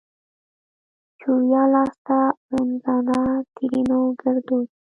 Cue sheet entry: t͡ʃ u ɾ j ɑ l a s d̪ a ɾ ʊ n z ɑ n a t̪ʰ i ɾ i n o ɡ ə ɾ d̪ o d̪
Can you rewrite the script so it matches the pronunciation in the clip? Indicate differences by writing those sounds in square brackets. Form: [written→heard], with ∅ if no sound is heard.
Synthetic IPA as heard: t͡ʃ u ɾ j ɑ l [a→ɑ] s [d̪→t̪] a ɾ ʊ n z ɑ n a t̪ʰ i ɾ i n o ɡ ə ɾ d̪ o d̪